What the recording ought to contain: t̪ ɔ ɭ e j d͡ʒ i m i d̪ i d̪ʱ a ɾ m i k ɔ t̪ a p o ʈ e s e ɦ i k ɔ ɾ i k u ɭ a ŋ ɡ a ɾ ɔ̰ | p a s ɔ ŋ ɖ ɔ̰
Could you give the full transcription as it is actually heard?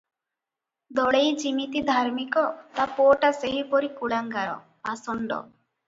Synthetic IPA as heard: d̪ ɔ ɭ e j d͡ʒ i m i t̪ i d̪ʱ a ɾ m i k ɔ t̪ a p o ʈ a s e ɦ i p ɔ ɾ i k u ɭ a ŋ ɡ a ɾ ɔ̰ | p a s ɔ ɳ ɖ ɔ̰